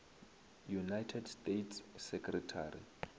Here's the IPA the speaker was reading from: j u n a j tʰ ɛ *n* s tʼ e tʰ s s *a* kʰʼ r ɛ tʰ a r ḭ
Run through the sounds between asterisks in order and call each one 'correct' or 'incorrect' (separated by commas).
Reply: incorrect, incorrect